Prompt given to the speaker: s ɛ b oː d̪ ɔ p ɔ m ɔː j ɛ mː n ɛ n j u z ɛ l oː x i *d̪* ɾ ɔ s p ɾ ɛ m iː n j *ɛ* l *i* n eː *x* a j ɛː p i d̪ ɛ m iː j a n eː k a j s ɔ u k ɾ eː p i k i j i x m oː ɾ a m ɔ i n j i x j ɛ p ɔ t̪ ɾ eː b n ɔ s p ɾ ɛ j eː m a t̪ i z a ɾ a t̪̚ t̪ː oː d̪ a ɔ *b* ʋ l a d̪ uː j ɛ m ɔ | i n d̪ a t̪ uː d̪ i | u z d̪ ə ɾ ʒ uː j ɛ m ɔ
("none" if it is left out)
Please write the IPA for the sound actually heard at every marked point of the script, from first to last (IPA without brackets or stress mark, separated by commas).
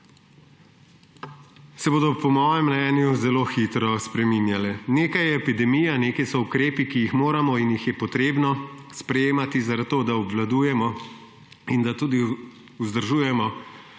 t̪, a, ɛ, k, b